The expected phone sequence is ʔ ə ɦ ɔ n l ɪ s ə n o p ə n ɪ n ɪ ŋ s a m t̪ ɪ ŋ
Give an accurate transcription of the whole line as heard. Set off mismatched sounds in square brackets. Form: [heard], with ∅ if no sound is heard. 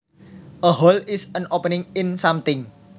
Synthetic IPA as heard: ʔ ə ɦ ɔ [∅] l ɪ s ə n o p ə n ɪ [ŋ] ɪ [n] s a m t̪ ɪ ŋ